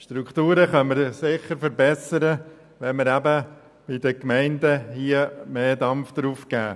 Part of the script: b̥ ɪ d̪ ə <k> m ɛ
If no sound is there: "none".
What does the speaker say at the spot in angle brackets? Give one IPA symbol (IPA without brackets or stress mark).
k